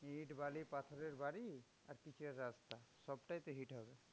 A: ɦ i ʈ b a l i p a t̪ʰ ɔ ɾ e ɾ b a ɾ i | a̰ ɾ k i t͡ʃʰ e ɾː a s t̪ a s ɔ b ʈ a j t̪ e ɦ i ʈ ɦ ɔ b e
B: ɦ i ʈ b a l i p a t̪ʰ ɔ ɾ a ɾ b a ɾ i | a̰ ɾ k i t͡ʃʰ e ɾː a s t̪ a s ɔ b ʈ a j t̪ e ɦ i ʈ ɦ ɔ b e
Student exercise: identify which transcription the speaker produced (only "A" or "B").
A